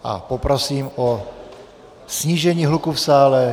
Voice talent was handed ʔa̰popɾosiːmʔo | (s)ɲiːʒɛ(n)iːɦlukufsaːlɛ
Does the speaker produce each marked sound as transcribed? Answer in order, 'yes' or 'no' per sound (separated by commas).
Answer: yes, no